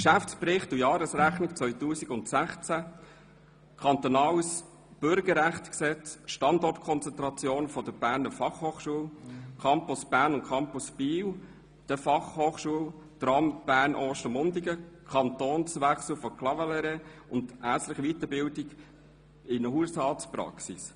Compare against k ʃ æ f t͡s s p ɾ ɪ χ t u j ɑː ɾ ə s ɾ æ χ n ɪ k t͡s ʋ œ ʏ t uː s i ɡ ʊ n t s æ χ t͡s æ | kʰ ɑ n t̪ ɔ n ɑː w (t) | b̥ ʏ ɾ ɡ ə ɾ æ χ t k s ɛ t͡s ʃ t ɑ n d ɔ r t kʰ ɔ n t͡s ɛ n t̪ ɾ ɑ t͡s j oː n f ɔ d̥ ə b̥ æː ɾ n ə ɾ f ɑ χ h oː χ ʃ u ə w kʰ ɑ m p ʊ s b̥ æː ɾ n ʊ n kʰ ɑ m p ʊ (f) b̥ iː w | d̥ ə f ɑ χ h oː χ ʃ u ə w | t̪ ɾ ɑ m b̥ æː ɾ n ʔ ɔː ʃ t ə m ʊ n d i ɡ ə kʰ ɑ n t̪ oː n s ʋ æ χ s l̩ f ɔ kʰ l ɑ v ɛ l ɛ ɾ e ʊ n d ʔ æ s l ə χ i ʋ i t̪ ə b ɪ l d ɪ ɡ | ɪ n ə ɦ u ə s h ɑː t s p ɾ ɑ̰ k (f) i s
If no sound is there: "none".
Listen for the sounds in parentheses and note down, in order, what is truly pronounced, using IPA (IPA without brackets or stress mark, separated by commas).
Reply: s, s, s